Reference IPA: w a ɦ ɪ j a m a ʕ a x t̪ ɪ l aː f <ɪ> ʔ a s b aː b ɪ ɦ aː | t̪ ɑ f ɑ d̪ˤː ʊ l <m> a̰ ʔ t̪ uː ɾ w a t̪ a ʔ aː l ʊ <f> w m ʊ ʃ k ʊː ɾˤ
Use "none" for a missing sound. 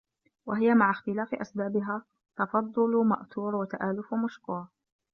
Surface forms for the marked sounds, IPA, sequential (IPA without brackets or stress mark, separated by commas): ɪ, m, f